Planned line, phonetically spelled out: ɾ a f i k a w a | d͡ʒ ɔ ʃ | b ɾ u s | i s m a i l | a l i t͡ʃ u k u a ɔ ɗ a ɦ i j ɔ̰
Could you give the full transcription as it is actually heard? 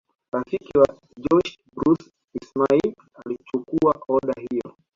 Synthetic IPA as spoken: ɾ a f i k i w a | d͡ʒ ɔ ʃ | b ɾ u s | i s m a i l | a l i t͡ʃ u k u a ɔ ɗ a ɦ i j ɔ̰